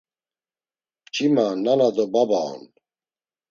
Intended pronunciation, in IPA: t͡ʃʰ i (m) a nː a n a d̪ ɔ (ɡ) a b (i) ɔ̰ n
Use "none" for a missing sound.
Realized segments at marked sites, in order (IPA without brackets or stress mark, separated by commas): m, b, a